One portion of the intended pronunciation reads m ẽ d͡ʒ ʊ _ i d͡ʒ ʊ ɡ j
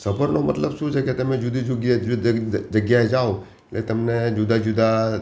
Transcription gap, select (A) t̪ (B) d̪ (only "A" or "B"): B